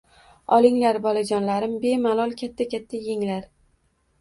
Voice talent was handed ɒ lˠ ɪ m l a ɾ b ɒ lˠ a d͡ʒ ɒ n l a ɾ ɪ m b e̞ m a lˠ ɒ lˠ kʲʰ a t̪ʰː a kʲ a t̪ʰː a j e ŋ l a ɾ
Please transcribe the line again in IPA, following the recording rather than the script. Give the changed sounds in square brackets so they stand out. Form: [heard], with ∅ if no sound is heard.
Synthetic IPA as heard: ɒ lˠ ɪ [ŋ] l a ɾ b ɒ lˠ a d͡ʒ ɒ n l a ɾ ɪ m b e̞ m a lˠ ɒ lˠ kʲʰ a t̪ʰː a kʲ a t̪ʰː a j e ŋ l a ɾ